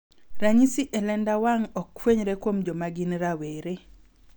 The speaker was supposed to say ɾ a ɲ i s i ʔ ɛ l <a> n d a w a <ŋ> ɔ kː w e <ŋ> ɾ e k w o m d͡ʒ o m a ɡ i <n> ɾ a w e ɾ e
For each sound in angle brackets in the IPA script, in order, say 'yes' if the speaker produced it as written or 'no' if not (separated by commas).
no, yes, no, yes